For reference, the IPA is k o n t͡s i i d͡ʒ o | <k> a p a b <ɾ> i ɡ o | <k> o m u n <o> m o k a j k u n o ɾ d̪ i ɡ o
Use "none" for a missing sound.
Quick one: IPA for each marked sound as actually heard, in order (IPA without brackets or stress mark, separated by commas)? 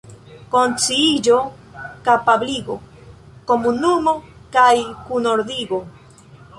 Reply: k, l, k, u